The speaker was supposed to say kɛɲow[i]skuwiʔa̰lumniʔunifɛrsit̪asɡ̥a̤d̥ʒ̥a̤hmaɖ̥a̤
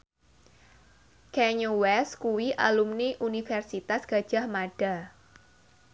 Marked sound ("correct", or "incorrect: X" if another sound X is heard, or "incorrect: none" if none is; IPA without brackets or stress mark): incorrect: ɛ